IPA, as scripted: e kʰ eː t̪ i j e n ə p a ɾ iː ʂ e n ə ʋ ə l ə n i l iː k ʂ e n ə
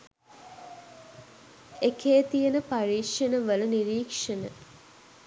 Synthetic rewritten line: e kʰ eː t̪ i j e n ə p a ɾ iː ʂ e n ə ʋ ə l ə n i ɾ iː k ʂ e n ə

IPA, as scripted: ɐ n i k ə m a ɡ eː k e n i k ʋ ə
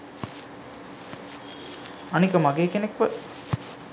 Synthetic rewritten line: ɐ n i k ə m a ɡ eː k e n e k ʋ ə

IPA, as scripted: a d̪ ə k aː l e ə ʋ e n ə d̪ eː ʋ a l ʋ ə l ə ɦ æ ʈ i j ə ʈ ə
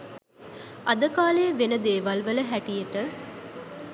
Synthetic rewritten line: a d̪ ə k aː l e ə ʋ e n ə d̪ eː ʋ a l ʋ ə l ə ɦ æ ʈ i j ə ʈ ə

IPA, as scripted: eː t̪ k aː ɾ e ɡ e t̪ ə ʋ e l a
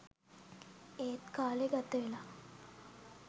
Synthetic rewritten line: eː t̪ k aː l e ɡ a t̪ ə ʋ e l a

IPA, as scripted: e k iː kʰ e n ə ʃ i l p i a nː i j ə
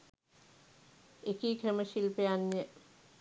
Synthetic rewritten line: e k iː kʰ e m ə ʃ i l p e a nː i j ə

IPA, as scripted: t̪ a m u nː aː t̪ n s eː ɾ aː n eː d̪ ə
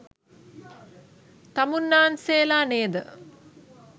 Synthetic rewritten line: t̪ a m u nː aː n s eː l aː n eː d̪ ə

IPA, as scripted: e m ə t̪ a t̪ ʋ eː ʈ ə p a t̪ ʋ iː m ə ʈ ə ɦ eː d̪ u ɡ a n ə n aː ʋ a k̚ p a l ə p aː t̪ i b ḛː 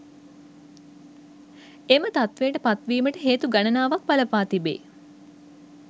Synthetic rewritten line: e m ə t̪ a t̪ ʋ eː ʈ ə p a t̪ ʋ iː m ə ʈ ə ɦ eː t̪ u ɡ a n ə n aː ʋ a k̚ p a l ə p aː t̪ i b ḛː

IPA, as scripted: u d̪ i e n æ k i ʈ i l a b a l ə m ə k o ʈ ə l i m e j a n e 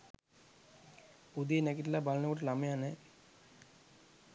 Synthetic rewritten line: u d̪ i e n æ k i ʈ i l a b a l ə n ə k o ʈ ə l a m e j a n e

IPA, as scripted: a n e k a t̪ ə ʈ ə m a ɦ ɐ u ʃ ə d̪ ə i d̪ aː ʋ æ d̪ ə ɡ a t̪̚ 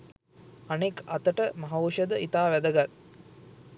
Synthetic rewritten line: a n e k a t̪ ə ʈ ə m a ɦ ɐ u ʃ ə d̪ ə i t̪ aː ʋ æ d̪ ə ɡ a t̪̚

